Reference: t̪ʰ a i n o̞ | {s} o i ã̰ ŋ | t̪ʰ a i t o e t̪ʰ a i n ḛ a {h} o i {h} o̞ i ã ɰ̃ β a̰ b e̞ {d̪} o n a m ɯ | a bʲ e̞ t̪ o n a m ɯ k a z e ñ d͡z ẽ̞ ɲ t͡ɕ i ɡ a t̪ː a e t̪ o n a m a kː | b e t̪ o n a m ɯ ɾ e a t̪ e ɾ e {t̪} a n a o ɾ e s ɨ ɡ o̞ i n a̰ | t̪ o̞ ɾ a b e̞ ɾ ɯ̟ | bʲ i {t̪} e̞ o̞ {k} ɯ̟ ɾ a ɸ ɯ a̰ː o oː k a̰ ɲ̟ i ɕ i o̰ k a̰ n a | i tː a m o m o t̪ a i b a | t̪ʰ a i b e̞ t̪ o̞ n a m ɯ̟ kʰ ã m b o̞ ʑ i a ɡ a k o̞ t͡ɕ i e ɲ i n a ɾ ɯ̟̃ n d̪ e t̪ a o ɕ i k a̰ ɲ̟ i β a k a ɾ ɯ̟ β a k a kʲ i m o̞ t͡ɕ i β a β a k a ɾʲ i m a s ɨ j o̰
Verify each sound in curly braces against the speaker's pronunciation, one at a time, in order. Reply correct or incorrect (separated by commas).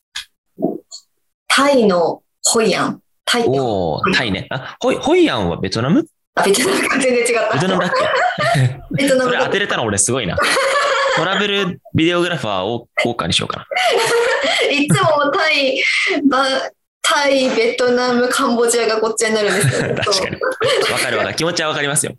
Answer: incorrect, correct, correct, incorrect, correct, incorrect, incorrect